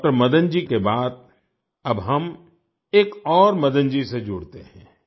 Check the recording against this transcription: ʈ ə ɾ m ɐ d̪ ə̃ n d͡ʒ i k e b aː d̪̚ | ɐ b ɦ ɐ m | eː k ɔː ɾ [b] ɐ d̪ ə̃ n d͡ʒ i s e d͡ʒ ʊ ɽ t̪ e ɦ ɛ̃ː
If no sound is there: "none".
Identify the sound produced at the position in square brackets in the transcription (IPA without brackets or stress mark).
m